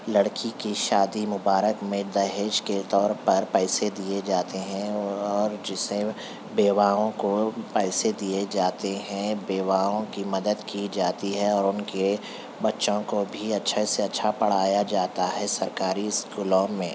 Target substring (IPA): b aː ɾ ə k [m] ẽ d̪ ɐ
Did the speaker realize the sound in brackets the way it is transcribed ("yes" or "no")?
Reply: yes